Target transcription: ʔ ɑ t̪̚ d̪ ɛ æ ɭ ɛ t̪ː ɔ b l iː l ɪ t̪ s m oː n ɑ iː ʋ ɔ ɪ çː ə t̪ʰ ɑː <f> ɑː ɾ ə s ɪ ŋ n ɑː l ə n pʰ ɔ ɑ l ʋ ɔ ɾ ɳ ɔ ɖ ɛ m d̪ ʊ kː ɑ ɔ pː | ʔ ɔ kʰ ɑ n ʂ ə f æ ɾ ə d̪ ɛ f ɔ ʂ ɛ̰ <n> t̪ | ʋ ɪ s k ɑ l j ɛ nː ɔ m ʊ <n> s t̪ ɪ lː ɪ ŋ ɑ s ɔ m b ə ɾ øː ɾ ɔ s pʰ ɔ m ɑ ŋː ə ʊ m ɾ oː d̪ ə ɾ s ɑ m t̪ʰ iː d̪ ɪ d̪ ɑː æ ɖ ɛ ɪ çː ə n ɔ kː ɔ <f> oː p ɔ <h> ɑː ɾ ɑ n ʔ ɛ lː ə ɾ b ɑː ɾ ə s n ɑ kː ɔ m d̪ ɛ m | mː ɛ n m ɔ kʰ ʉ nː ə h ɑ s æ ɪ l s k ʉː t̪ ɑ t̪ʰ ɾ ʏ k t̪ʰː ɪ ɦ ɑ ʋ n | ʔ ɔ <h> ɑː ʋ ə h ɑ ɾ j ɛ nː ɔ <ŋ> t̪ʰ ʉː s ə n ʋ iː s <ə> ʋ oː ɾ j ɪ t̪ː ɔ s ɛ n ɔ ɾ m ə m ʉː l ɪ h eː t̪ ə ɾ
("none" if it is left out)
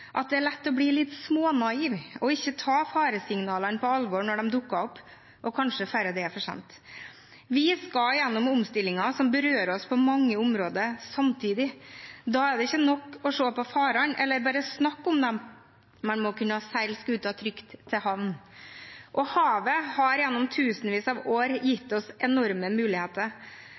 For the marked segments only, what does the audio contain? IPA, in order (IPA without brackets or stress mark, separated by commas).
f, n, m, ʂ, f, h, m, ɑ